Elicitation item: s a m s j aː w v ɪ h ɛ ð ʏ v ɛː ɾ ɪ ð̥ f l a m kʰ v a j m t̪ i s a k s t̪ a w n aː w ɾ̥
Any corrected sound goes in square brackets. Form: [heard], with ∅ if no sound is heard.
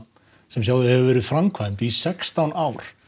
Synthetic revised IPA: s [ɛ] m s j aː w [ð] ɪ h ɛ [v] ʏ v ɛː ɾ ɪ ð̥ f [ɾ] a m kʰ v a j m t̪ i s [ɛ] k s t̪ a w n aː w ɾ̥